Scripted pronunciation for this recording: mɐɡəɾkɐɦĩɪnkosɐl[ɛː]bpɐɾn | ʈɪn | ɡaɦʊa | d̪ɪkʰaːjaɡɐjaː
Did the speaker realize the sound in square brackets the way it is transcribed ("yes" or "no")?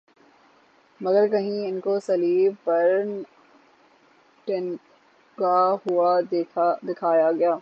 no